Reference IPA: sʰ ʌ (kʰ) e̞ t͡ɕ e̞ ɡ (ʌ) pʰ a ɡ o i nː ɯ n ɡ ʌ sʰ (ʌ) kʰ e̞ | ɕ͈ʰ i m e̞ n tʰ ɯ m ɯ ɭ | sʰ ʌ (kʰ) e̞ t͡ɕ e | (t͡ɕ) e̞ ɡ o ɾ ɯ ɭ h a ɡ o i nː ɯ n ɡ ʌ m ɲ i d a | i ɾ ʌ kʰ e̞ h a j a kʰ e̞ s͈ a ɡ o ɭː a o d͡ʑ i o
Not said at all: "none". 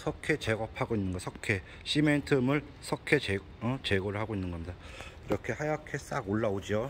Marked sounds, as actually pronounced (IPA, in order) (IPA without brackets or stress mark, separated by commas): kʰ, ʌ, ʌ, kʰ, t͡ɕ